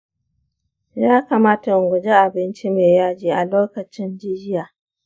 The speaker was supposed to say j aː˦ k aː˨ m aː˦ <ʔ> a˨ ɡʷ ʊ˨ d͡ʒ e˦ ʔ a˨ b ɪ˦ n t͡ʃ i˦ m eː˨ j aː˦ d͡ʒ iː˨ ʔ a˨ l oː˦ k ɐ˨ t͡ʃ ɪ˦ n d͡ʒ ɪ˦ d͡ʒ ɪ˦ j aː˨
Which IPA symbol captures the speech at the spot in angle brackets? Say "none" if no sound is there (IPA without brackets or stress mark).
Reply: t